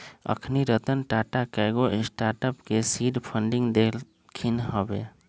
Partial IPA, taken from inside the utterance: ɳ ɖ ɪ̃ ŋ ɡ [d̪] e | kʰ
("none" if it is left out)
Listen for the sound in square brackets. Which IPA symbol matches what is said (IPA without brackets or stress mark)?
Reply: d̪